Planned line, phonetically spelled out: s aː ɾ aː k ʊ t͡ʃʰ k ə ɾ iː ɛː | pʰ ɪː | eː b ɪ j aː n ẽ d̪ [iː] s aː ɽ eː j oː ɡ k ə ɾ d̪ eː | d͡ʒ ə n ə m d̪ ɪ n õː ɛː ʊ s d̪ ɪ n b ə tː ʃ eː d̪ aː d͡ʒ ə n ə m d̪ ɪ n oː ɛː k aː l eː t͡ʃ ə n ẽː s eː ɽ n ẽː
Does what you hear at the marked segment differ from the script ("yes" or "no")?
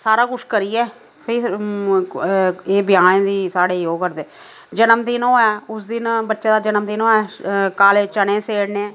no